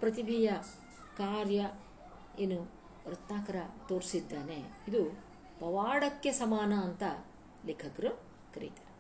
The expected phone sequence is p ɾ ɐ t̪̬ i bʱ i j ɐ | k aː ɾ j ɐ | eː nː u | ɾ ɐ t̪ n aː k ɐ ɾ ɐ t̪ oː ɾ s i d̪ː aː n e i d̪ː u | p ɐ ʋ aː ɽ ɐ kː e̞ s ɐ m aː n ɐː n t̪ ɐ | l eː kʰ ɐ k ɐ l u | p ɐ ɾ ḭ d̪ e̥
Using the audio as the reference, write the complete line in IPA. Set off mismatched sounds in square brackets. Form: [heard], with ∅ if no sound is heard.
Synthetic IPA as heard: p ɾ ɐ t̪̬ i bʱ i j ɐ | k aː ɾ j ɐ | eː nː u | ɾ ɐ t̪ n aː k ɐ ɾ ɐ t̪ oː ɾ s i d̪ː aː n e i [d̪] u | p ɐ ʋ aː ɽ ɐ kː e̞ s ɐ m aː n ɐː n t̪ ɐ | l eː kʰ ɐ k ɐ [ɾ] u | [k] ɐ ɾ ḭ [t̪] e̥